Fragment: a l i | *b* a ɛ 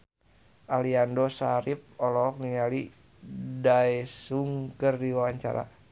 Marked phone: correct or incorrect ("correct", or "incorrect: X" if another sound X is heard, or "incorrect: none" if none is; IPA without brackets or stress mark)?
incorrect: d